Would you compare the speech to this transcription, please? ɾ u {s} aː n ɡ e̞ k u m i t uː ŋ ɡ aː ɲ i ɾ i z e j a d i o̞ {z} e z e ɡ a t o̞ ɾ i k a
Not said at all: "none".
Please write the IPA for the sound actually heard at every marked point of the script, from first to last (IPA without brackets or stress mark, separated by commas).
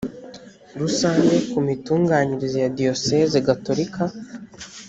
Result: s, s